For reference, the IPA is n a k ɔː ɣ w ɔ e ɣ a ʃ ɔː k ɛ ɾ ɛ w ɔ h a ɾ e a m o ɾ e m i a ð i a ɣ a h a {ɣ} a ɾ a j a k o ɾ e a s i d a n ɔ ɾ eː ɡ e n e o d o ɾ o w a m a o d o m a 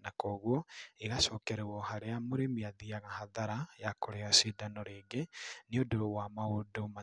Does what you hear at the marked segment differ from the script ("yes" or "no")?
yes